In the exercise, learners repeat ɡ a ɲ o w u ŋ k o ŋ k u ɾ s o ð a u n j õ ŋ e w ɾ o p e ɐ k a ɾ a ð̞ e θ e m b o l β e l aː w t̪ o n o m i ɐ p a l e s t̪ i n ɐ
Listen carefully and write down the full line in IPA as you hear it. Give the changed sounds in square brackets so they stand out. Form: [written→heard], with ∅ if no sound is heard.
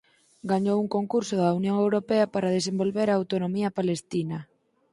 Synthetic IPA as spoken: ɡ a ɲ o w u ŋ k o ŋ k u ɾ s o ð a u n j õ ŋ e w ɾ o p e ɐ [k→p] a ɾ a ð̞ e [θ→s] e m b o l β e [l→ɾ] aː w t̪ o n o m i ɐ p a l e s t̪ i n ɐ